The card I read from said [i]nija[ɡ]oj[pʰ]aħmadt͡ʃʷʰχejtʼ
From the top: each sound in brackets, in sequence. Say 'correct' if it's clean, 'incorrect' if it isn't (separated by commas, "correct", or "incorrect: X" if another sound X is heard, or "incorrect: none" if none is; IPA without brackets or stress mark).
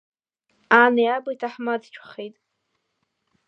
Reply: incorrect: a, incorrect: b, incorrect: tʰ